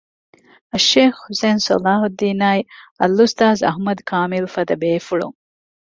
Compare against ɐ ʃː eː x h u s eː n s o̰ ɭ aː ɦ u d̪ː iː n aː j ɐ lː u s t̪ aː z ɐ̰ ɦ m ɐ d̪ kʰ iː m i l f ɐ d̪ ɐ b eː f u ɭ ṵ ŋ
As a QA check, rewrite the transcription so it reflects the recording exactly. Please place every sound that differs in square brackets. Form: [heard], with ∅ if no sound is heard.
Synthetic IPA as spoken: ɐ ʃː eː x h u s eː n s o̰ [l] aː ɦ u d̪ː iː n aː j ɐ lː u s t̪ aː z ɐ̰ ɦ m ɐ d̪ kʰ [aː] m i l f ɐ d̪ ɐ b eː f u ɭ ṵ ŋ